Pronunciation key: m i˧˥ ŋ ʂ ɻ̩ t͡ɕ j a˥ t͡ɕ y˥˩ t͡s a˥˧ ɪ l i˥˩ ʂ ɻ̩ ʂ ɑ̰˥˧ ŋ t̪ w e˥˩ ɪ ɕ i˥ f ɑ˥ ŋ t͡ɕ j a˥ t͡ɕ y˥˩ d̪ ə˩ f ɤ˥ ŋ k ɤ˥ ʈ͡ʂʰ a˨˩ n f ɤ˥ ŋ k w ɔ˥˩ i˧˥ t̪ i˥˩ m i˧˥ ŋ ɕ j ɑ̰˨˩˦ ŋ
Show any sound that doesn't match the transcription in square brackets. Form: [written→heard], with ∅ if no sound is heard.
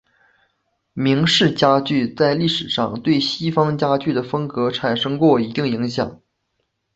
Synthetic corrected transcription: m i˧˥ ŋ ʂ ɻ̩ t͡ɕ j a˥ t͡ɕ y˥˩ t͡s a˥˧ ɪ l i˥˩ ʂ ɻ̩ ʂ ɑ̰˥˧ ŋ t̪ w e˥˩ ɪ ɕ i˥ f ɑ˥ ŋ t͡ɕ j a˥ t͡ɕ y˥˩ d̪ ə˩ f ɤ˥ ŋ k [ɤ˥→ɤ˧˥] ʈ͡ʂʰ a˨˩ n [f→ʂ] ɤ˥ ŋ k w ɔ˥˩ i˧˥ t̪ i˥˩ [m→ŋ] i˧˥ ŋ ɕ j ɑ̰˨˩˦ ŋ